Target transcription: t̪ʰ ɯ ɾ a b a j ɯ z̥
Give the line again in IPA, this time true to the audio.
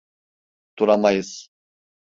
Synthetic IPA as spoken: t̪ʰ u ɾ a m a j ɯ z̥